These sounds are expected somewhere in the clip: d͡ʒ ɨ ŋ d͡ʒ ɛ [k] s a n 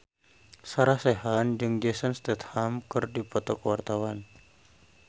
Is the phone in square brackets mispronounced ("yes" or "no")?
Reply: yes